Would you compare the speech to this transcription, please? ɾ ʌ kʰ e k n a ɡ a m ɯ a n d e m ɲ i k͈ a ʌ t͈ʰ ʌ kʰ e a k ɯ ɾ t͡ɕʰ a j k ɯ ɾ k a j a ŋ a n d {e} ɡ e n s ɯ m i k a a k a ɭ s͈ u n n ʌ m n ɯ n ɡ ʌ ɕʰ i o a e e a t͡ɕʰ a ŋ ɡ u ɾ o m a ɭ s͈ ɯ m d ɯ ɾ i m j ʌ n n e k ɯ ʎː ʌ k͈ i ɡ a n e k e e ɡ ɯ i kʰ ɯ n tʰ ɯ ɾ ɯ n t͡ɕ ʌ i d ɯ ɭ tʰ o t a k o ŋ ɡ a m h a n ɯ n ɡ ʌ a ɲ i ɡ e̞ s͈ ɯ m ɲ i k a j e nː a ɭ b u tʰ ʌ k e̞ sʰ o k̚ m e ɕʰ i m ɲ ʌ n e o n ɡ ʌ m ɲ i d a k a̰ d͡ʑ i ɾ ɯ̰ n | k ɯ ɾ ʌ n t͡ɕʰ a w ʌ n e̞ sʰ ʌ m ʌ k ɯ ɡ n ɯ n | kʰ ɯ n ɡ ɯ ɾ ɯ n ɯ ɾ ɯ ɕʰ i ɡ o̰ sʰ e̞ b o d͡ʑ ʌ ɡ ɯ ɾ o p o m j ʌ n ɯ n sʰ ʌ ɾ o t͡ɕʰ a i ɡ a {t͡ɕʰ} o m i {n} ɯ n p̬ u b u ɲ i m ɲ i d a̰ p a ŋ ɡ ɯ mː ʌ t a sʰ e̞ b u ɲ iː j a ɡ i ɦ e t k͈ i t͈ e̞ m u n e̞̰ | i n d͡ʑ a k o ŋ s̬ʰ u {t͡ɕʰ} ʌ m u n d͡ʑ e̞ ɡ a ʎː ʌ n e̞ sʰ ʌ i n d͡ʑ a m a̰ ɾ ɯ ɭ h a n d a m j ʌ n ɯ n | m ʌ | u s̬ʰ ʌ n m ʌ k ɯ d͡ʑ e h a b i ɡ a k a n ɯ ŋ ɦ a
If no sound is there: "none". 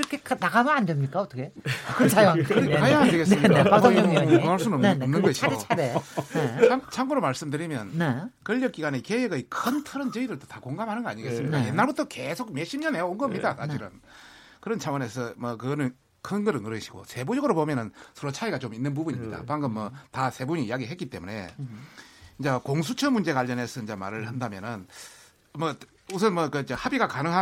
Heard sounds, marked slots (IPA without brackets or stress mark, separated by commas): e, t͡ɕ, nː, t͡ɕʰ